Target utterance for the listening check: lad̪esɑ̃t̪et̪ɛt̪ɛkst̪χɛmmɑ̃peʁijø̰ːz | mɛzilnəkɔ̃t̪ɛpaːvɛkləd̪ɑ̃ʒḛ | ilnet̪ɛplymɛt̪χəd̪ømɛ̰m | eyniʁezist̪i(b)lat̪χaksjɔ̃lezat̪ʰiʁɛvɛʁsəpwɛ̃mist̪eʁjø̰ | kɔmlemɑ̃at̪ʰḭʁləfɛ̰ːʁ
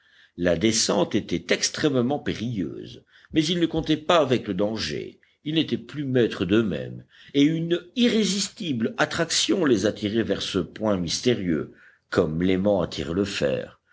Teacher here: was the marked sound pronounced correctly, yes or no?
yes